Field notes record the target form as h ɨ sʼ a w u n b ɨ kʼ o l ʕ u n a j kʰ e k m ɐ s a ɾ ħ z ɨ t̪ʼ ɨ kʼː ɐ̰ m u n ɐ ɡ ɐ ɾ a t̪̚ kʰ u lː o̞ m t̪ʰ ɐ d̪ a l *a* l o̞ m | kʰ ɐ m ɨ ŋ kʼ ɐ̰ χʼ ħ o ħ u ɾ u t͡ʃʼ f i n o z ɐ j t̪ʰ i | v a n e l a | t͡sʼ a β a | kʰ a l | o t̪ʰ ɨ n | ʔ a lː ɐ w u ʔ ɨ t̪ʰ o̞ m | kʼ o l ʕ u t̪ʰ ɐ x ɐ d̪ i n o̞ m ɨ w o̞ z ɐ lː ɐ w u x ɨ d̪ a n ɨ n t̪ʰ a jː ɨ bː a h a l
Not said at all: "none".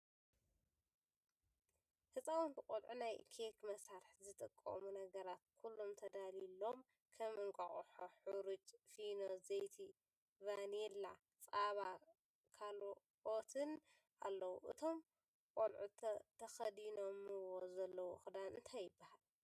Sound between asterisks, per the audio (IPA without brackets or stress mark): i